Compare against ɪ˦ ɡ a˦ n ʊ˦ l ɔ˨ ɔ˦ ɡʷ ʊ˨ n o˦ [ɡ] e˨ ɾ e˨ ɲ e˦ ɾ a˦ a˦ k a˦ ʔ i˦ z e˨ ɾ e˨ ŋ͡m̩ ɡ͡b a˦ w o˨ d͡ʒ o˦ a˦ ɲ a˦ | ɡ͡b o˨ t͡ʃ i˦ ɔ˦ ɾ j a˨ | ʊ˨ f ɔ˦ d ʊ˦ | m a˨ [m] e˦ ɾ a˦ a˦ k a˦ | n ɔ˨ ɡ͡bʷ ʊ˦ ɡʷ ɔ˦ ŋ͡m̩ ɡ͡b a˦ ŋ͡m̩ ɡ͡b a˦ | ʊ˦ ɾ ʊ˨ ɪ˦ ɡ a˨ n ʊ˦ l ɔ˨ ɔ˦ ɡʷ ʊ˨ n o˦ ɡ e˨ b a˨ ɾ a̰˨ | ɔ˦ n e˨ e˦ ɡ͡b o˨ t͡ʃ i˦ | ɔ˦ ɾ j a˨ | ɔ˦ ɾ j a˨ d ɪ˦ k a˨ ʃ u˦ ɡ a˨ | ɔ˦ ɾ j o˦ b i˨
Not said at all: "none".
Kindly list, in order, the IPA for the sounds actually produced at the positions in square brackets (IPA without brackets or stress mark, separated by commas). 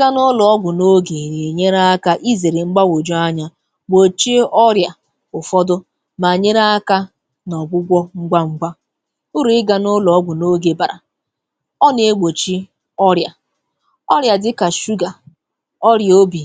ɡ, ɲ